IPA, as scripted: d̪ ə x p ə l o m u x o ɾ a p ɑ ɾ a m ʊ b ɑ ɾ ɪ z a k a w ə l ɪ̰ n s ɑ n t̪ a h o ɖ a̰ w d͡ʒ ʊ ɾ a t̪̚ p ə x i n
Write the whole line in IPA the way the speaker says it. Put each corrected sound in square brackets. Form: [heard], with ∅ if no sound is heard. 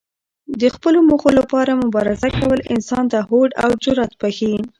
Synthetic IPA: d̪ ə x p ə l o m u x o [l] a p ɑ ɾ a m ʊ b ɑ ɾ ɪ z a k a w ə l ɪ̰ n s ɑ n t̪ a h o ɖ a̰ w d͡ʒ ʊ ɾ a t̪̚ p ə x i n

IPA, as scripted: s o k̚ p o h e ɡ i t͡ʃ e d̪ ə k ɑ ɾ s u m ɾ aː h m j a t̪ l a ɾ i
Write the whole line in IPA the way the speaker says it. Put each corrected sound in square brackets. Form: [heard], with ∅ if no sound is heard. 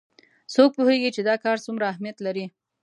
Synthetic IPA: s o k̚ p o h e ɡ i t͡ʃ e d̪ [ɑ] k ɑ ɾ s u m ɾ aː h m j a t̪ l a ɾ i

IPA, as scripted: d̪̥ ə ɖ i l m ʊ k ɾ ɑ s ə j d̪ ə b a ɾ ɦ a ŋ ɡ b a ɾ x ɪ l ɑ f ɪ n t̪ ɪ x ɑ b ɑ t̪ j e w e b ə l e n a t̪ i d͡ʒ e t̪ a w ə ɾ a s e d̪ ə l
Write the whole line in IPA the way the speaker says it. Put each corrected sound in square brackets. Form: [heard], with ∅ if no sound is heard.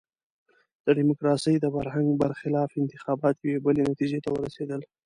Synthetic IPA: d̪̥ ə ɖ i [∅] m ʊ k ɾ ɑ s ə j d̪ ə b a ɾ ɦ a ŋ ɡ b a ɾ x ɪ l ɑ f ɪ n t̪ ɪ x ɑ b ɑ t̪ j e w e b ə l e n a t̪ i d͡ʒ e t̪ a w ə ɾ a s e d̪ ə l

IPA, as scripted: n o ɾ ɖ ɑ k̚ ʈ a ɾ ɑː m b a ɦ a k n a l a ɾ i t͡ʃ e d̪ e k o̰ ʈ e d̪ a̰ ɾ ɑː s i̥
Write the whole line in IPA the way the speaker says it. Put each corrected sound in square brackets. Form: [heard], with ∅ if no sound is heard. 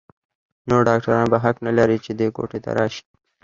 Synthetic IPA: n o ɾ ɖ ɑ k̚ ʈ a ɾ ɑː [n] b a ɦ a k n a l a ɾ i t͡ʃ e d̪ e k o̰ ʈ e [t̪] a̰ ɾ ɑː [ʃ] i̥

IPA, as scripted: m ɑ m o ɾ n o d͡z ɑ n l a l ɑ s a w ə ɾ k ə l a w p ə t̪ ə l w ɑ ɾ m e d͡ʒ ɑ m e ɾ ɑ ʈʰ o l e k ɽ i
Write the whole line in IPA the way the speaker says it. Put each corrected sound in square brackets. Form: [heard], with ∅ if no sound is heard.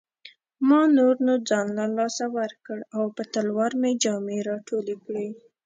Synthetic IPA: m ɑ [n] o ɾ n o d͡z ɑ n l a l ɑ s a w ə ɾ k ə [ɽ] a w p ə t̪ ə l w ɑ ɾ m e d͡ʒ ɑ m e ɾ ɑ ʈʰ o l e k ɽ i

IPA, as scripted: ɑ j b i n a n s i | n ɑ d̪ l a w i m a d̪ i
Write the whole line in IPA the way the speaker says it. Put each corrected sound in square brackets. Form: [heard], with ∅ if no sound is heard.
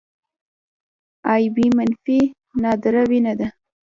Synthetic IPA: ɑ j b i [m] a n [f] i | n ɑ d̪ [ɾ] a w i [n] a d̪ [a]

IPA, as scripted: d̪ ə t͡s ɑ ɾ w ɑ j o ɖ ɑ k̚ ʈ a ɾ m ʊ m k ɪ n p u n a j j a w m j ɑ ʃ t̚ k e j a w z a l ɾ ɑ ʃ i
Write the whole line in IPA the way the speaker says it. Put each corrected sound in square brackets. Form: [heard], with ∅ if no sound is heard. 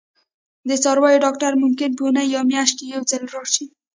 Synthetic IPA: d̪ ə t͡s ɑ ɾ w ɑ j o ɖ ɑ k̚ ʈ a ɾ m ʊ m k ɪ n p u n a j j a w m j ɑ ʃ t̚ k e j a w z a l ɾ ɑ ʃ i

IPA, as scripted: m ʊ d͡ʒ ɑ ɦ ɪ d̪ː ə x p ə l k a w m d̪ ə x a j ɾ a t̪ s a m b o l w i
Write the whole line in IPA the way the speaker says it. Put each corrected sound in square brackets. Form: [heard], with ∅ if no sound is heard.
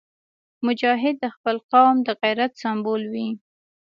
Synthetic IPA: m ʊ d͡ʒ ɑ ɦ ɪ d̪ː ə x p ə l [q] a w m d̪ ə [ɣ] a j ɾ a t̪ s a m b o l w i

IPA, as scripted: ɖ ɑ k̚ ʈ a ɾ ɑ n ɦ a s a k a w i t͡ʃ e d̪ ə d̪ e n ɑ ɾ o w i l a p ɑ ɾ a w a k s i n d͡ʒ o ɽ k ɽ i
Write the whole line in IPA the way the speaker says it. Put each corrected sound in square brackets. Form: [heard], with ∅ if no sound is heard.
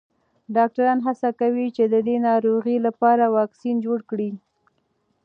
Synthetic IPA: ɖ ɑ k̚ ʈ a ɾ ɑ n ɦ a s a k a w i t͡ʃ e d̪ ə d̪ e n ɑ ɾ o [ɣ] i l a p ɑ ɾ a w [ɑ] k s i n d͡ʒ o ɽ k ɽ i

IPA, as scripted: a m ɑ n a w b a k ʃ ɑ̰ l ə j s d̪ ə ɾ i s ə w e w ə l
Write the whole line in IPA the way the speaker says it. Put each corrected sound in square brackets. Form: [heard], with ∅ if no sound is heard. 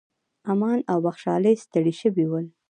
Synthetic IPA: a m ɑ n a w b a [x] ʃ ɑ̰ l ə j s [t̪] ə [ɽ] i [ʃ] ə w [i] w ə l

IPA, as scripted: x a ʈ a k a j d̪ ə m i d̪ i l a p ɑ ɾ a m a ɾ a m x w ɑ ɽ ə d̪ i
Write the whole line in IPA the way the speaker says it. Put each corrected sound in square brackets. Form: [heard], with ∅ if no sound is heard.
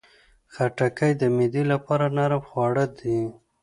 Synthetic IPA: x a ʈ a k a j d̪ ə m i d̪ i l a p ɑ ɾ a [n] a ɾ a m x w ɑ ɽ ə d̪ i

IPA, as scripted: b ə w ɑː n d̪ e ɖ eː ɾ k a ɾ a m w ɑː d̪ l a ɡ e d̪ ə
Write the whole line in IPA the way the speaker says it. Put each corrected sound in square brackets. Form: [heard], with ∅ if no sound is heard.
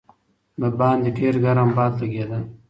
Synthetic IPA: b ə [b] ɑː n d̪ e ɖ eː ɾ [ɡ] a ɾ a m [b] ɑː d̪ l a ɡ e d̪ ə

